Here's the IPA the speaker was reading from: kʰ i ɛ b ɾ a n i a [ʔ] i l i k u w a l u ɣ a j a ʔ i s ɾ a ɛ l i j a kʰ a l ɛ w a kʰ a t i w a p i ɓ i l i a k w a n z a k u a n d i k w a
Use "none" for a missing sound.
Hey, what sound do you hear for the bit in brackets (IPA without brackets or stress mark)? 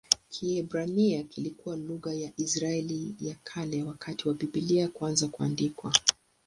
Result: k